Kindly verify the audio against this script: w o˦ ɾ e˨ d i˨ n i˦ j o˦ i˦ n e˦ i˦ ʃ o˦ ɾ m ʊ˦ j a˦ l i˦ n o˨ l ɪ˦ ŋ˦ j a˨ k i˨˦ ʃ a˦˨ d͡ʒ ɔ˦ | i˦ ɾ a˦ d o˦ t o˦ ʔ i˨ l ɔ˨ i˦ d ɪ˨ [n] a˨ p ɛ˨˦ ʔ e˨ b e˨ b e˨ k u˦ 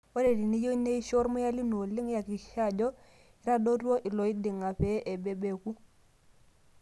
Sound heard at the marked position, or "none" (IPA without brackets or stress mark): ŋ